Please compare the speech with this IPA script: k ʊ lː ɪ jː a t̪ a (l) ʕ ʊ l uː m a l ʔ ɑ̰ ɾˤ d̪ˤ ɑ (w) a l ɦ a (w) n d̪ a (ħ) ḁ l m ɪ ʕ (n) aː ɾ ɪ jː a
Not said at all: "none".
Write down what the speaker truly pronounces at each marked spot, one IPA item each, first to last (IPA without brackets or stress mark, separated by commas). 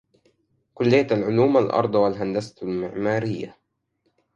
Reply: l, w, none, s, m